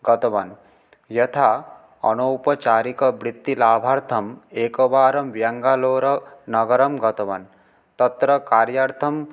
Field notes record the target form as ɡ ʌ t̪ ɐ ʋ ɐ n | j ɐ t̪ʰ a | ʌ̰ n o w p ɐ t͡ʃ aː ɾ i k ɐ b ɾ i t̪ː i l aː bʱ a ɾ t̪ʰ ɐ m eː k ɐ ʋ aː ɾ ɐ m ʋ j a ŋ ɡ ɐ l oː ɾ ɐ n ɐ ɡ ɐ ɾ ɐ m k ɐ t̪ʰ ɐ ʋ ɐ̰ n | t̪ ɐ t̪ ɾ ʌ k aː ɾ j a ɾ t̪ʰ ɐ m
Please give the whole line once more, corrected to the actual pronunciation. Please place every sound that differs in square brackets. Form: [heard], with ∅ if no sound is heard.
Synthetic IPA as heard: ɡ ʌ t̪ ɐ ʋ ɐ n | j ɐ t̪ʰ a | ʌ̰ n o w p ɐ t͡ʃ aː ɾ i k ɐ b ɾ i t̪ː i l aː bʱ a ɾ t̪ʰ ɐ m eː k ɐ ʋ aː ɾ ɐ m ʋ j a ŋ ɡ [a] l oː ɾ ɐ n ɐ ɡ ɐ ɾ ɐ m [ɡ] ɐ [t̪] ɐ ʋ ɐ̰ n | t̪ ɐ t̪ ɾ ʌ k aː ɾ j a ɾ t̪ʰ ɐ m